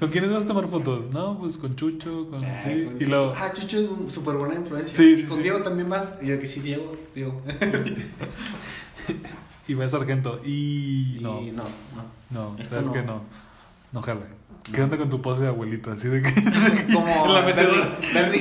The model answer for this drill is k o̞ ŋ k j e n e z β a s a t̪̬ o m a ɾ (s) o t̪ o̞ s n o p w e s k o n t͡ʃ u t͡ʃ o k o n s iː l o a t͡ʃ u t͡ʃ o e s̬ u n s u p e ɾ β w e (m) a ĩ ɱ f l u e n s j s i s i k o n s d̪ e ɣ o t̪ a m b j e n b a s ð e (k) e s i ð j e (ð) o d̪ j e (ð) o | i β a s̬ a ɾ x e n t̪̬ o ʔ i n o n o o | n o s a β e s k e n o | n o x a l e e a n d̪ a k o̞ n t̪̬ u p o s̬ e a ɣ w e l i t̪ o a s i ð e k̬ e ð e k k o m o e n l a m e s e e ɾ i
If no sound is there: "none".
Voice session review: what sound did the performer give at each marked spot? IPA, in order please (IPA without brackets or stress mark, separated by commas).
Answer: f, n, k, ɣ, ɣ